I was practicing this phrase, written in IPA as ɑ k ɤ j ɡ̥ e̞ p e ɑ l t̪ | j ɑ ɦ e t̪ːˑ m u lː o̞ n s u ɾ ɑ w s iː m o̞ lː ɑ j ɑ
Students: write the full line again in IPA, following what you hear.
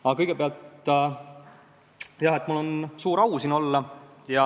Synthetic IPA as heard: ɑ k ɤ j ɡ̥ e̞ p e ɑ l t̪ | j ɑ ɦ e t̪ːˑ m u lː o̞ n s uː ɾ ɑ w s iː n o̞ lː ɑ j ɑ